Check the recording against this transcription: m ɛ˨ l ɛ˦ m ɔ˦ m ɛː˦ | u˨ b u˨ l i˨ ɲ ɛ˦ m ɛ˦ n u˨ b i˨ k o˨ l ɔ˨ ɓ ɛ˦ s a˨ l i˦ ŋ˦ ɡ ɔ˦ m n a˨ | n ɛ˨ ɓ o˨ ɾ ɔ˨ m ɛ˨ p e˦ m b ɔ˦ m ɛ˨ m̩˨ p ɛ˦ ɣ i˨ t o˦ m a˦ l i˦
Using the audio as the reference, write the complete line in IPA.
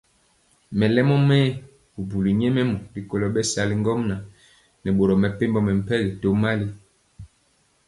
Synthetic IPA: m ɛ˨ l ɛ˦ m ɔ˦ m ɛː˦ | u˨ b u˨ l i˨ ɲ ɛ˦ m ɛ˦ m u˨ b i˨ k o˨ l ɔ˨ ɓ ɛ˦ s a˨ l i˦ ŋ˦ ɡ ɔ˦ m n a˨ | n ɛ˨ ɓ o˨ ɾ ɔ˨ m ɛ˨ p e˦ m b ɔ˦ m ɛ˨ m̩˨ p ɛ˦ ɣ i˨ t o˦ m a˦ l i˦